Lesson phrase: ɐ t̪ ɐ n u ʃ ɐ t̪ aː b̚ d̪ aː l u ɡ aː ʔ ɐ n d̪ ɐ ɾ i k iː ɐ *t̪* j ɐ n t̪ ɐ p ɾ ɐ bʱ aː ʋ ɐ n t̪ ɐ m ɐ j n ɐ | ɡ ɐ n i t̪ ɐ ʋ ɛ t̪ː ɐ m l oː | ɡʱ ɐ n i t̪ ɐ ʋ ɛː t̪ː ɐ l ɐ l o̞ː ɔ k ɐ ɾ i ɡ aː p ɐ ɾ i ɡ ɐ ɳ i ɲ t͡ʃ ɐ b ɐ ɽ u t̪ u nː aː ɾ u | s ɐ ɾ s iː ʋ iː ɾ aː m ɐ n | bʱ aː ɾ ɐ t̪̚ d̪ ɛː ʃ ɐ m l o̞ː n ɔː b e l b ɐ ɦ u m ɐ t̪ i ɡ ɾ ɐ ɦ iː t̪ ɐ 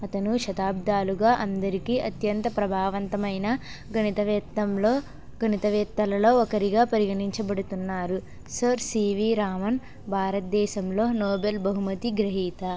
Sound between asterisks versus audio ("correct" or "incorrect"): correct